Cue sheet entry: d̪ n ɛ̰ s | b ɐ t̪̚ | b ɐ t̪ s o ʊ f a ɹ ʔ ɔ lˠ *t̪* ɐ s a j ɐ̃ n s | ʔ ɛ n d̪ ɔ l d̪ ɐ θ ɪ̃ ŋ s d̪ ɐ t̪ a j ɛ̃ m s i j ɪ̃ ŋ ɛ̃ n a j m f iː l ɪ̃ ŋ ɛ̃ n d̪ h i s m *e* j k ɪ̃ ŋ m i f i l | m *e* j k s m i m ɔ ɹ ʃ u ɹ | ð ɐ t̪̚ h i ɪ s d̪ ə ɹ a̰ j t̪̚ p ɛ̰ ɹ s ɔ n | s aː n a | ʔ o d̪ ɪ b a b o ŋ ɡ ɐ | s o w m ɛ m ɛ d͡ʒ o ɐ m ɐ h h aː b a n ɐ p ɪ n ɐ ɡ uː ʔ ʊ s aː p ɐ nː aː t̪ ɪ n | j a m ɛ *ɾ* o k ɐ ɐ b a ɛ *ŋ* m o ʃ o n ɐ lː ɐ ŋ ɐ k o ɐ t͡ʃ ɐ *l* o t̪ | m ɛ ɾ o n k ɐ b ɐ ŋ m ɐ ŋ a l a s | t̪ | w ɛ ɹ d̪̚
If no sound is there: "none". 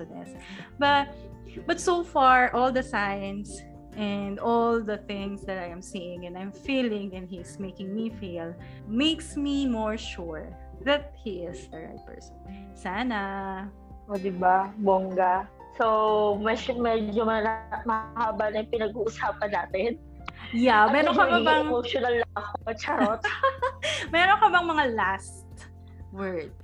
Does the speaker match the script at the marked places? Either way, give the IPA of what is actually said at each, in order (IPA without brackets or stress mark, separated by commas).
d̪, e, e, ɾ, ŋ, ɾ